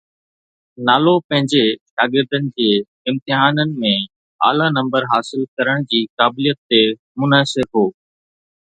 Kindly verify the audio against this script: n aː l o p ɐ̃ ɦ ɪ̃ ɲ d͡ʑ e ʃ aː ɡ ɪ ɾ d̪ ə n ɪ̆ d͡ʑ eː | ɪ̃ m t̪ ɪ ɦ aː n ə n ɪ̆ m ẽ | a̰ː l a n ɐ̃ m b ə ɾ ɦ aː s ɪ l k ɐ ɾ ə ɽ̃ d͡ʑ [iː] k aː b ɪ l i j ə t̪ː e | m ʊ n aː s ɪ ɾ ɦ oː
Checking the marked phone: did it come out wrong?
no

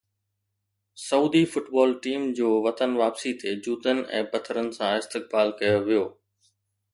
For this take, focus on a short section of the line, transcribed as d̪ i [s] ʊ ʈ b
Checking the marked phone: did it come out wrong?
yes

